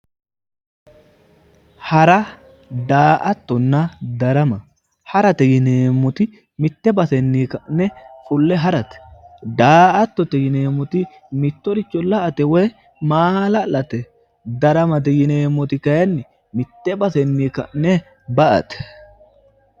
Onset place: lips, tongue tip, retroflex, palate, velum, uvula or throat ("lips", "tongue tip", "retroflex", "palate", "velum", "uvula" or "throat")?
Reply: throat